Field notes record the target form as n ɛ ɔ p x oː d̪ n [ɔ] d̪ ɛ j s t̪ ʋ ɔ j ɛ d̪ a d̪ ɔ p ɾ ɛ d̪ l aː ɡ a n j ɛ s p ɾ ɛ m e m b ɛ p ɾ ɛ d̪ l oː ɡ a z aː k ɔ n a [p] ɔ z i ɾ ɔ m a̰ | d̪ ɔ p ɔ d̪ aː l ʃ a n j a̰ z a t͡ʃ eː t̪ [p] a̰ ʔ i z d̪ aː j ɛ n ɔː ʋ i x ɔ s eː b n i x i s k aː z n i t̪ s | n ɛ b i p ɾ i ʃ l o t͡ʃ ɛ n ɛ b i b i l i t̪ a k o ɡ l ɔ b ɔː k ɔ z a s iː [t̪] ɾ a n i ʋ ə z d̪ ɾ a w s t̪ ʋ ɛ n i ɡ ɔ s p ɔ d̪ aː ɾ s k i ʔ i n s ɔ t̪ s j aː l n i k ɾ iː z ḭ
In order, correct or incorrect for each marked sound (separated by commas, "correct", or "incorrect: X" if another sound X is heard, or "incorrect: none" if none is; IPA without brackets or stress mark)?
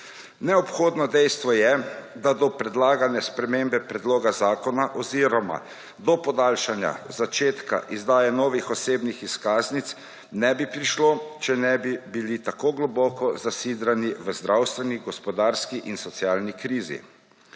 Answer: correct, incorrect: ʔ, incorrect: k, incorrect: d̪